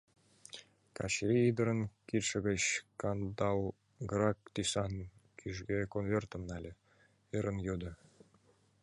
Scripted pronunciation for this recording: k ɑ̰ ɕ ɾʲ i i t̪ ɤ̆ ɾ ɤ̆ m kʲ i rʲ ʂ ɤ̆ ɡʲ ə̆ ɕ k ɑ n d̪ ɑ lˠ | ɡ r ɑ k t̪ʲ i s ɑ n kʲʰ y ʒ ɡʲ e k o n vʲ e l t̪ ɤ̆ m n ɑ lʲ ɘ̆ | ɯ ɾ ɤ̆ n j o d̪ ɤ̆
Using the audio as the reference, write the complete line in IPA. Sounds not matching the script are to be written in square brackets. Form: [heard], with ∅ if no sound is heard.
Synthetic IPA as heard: k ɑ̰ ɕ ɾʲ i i [d̪] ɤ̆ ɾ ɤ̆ [n] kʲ i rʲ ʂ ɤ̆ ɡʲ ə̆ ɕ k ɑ n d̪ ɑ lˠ | ɡ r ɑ k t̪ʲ i s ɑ n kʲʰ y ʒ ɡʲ e k o n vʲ e [r] t̪ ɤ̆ m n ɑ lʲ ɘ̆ | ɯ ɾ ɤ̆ n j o d̪ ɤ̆